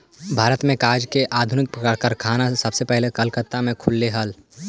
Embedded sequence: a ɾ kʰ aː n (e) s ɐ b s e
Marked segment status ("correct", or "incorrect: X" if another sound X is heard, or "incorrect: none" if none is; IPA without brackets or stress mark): incorrect: a